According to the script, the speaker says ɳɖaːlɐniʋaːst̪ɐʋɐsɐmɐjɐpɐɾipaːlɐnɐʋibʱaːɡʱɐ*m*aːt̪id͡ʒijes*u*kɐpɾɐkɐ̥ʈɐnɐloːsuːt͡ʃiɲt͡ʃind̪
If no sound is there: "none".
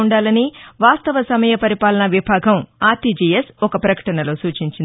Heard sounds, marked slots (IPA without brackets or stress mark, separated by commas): m, ɔ